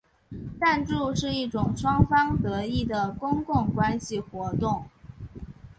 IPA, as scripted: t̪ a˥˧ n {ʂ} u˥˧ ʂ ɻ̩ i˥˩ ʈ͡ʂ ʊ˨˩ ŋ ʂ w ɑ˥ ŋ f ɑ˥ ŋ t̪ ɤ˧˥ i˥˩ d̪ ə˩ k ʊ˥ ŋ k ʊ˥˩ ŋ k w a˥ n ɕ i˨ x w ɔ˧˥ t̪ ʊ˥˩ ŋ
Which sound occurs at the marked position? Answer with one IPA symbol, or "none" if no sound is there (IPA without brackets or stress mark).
ʈ͡ʂ